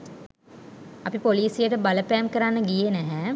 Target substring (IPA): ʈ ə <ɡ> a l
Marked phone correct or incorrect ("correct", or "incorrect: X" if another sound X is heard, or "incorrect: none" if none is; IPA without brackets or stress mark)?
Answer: incorrect: b